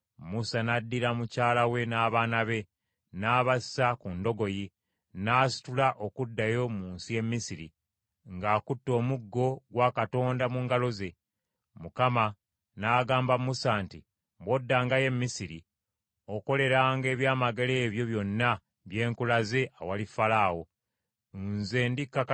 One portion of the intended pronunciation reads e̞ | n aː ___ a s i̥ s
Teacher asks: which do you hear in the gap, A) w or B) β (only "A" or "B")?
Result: B